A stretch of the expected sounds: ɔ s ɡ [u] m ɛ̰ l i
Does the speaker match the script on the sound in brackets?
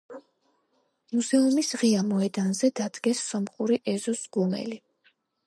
yes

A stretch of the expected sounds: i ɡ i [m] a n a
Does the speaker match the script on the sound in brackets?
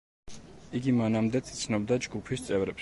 yes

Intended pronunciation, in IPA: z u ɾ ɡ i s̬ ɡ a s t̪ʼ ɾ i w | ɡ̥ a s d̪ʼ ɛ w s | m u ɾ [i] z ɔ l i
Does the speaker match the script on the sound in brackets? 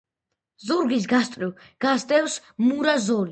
no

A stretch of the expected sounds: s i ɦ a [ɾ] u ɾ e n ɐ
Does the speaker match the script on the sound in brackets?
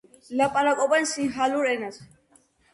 no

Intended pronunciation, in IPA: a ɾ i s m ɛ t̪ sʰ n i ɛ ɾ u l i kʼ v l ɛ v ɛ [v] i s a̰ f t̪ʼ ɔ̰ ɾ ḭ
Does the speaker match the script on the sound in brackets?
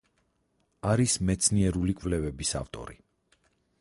no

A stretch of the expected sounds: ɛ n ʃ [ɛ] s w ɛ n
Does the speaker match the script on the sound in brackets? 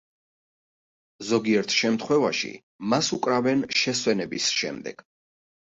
yes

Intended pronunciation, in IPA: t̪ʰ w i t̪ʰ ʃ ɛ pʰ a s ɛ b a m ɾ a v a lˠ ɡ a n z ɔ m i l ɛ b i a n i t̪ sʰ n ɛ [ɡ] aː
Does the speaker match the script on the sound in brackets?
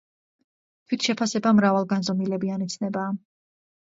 no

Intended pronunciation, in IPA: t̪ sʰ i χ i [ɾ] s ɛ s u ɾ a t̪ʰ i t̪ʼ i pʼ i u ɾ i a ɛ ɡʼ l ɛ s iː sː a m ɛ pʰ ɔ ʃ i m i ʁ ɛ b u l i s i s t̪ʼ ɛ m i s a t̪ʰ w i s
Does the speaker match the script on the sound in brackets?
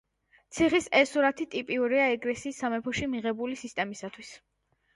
no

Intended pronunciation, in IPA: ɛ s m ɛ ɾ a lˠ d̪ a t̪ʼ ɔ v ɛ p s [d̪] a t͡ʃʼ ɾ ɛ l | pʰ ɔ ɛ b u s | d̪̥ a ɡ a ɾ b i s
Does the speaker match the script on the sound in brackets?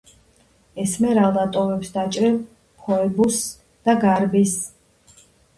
yes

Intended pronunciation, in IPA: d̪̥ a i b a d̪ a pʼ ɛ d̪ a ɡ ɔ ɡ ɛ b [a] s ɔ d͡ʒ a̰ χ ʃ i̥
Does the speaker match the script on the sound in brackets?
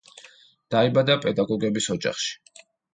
no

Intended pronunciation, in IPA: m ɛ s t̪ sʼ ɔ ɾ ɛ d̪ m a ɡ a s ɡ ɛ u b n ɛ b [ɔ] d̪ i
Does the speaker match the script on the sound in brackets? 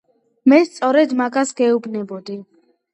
yes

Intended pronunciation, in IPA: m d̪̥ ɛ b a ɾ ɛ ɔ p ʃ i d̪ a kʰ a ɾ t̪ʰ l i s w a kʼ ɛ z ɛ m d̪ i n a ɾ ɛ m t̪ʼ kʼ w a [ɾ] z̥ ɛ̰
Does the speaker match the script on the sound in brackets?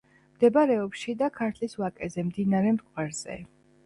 yes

